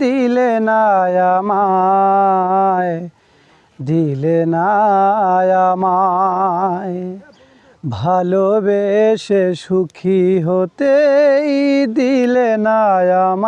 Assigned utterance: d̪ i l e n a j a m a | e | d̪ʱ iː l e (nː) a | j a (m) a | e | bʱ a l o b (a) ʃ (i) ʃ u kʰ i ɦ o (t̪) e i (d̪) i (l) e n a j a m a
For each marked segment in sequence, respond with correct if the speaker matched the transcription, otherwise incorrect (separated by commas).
incorrect, correct, incorrect, incorrect, correct, correct, correct